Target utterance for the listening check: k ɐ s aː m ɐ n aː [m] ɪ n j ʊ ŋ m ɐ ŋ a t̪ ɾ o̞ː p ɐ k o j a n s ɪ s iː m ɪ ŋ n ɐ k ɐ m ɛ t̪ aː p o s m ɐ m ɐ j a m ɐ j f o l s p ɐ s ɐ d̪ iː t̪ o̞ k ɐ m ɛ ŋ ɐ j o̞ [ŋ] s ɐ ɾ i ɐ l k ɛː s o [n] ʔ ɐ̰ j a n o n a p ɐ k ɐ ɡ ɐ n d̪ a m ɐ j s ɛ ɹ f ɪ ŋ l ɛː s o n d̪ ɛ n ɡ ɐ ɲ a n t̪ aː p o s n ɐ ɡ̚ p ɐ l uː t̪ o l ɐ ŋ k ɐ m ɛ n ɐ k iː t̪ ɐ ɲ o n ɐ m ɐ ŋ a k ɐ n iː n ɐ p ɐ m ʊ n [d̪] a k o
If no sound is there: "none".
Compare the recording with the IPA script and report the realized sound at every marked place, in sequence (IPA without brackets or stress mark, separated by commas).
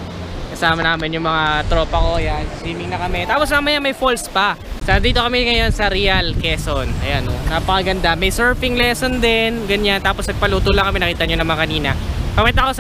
m, n, n, t̪